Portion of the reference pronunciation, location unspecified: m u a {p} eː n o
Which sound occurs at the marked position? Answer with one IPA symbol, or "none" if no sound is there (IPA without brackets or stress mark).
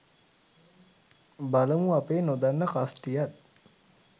p